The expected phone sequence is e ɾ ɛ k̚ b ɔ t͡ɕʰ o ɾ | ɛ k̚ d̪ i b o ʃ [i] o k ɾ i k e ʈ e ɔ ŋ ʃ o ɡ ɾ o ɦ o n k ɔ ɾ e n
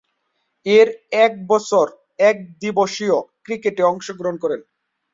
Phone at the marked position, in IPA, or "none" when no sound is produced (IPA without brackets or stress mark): i